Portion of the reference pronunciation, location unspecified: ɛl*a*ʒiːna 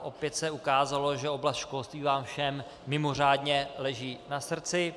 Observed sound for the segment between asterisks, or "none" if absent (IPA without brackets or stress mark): ɛ